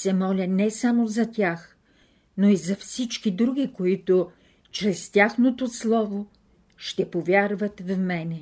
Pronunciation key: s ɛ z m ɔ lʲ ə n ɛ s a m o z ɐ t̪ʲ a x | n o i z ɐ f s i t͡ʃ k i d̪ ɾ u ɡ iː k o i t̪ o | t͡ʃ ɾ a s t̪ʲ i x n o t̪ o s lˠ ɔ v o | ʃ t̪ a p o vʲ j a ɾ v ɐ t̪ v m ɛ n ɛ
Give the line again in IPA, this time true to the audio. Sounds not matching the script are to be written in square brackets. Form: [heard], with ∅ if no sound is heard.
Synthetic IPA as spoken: s ɛ [∅] m ɔ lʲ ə n ɛ s a m o z ɐ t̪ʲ a x | n o i z ɐ f s i t͡ʃ k i d̪ ɾ u ɡ [i] k o i t̪ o | t͡ʃ ɾ [ɛ] s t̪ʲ [a] x n o t̪ o s lˠ ɔ v o | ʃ t̪ [ɛ] p o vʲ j a ɾ v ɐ t̪ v m ɛ n ɛ